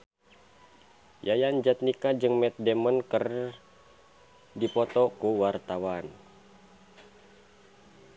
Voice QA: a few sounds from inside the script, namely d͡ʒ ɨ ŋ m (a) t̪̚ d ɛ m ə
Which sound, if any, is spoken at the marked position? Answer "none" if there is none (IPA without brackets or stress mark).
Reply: ɛ